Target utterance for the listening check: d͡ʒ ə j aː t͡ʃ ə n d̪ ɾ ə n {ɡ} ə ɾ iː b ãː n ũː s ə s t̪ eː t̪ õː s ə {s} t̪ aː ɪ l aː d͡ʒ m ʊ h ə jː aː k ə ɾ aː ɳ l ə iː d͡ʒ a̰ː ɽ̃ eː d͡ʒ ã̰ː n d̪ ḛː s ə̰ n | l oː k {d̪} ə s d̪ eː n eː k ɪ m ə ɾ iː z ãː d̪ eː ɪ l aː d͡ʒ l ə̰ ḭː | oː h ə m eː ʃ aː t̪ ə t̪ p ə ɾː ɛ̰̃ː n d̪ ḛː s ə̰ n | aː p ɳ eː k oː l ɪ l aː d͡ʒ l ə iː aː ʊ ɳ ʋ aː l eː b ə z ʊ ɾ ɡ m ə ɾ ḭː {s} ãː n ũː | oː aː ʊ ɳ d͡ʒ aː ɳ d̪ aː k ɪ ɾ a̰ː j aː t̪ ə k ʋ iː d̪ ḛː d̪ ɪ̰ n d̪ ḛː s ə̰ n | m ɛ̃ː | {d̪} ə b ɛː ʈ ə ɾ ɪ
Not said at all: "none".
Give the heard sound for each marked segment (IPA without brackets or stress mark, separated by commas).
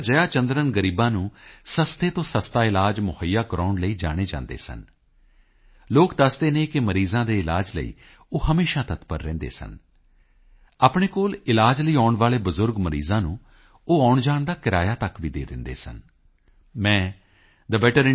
ɡ, s, d̪, z, d̪